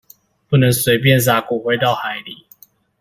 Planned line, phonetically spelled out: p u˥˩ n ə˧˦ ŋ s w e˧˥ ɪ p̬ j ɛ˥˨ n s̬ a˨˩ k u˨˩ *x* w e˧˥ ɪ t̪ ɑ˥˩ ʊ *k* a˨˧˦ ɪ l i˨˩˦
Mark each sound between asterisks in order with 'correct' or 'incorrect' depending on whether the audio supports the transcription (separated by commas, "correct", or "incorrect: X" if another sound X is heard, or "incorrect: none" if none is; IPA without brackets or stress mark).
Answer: correct, incorrect: x